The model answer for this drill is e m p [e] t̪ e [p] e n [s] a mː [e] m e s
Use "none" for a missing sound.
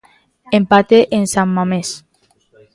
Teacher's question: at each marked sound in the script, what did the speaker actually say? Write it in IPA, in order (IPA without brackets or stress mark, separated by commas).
a, ʔ, s, a